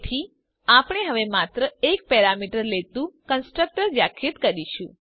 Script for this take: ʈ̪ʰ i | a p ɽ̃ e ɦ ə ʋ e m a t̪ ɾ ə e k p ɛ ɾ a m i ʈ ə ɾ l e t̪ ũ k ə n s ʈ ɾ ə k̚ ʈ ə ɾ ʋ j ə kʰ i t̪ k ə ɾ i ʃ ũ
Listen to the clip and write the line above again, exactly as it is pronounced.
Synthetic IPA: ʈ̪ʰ i | a p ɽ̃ e ɦ ə ʋ e m a t̪ ɾ ə e k p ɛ ɾ a m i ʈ ə ɾ l e t̪ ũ k ə n s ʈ ɾ ə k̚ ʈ ə ɾ ʋ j a kʰ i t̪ k ə ɾ i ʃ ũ

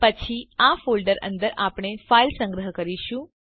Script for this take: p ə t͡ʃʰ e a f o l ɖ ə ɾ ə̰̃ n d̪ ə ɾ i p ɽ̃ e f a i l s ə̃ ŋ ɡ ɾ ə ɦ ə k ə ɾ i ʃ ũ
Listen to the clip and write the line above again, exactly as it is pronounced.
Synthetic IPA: p ə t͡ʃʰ i a f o l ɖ ə ɾ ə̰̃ n d̪ ə ɾ a p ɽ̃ e f a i l s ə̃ ŋ ɡ ɾ ə ɦ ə k ə ɾ i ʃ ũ

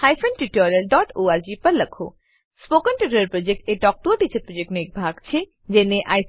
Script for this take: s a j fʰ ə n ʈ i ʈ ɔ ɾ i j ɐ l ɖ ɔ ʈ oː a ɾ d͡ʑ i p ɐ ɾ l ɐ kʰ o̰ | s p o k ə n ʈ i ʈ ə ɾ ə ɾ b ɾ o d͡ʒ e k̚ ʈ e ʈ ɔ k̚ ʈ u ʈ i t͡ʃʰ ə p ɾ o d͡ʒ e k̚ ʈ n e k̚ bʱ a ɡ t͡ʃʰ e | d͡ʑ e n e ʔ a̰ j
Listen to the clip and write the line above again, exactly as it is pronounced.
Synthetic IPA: h a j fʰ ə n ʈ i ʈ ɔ ɾ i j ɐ l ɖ ɔ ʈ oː a ɾ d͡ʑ i p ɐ ɾ l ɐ kʰ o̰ | s p o k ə n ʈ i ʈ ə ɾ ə ɾ p ɾ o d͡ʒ e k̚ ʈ e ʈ ɔ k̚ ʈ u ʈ i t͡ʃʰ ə p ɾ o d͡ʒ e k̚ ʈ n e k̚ bʱ a ɡ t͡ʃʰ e | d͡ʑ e n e ʔ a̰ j

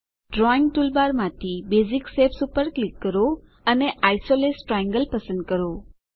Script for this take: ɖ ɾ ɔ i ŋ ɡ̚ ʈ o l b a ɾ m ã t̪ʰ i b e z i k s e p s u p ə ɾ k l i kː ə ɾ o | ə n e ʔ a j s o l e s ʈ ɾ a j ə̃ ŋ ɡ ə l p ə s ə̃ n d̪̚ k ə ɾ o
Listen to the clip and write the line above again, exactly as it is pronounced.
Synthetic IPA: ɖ ɾ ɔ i ŋ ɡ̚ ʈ u l b a ɾ m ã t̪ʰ i b e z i k s e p s u p ə ɾ k l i kː ə ɾ o | ə n e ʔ a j s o l e s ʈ ɾ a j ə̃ ŋ ɡ ə l p ə s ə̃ n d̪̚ k ə ɾ o

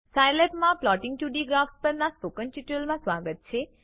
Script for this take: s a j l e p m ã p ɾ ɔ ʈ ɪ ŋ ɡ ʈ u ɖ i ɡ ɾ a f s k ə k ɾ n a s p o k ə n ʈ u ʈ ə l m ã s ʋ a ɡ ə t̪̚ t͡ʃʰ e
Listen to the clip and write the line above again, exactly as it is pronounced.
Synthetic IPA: s a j l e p m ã p l ɔ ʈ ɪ ŋ ɡ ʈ u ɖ i ɡ ɾ a f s p ə ɾ n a s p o k ə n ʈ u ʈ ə l m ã s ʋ a ɡ ə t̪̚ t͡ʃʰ e

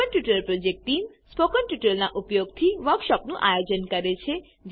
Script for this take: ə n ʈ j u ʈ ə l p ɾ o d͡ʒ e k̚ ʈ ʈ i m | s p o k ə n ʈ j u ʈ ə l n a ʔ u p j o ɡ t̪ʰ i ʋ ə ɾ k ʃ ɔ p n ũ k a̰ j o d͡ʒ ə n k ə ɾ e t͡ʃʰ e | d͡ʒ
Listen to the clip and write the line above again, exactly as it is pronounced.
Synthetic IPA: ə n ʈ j u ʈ ə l p ɾ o d͡ʒ e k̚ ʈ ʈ i m | s p o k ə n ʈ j u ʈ ə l n a ʔ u p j o ɡ t̪ʰ i ʋ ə ɾ k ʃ ɔ p n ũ ʔ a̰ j o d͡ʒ ə n k ə ɾ e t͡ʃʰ e | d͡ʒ

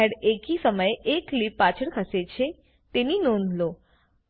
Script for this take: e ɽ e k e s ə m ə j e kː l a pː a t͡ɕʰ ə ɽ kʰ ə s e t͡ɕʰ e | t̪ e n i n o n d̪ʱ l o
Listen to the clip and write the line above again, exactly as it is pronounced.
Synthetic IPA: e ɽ e k i s ə m ə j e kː l i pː a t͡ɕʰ ə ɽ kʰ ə s e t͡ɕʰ e | t̪ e n i n o n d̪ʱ l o

